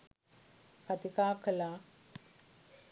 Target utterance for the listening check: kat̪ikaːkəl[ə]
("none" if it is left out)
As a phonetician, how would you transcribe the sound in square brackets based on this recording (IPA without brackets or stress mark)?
a